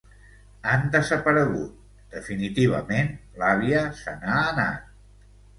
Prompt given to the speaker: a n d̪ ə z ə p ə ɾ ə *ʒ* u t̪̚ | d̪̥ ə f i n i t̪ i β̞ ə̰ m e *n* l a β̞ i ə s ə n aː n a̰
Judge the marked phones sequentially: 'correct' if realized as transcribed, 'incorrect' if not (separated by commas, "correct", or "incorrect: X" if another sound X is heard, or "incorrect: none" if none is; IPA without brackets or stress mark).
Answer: incorrect: ɣ, correct